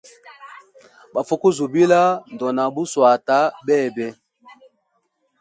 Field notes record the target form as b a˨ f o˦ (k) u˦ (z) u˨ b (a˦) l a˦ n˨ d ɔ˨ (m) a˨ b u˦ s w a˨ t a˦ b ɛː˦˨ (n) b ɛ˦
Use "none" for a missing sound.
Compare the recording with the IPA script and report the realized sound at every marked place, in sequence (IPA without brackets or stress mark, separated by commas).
k, z, i˦, n, none